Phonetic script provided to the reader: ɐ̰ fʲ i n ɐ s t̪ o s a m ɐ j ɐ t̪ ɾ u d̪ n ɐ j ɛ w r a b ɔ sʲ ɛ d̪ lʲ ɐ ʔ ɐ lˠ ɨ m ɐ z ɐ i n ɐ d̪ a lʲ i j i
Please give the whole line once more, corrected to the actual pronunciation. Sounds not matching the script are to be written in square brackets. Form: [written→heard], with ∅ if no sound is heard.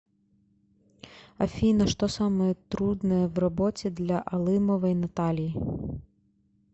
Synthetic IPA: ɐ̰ fʲ i n ɐ [s→ʂ] t̪ [o→ɔ] s a m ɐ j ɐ t̪ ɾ u d̪ n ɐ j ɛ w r a b ɔ [sʲ→t͡sʲ] ɛ d̪ lʲ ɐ ʔ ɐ lˠ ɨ m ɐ [z→v] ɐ [i→j] n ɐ [d̪→t̪] a lʲ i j i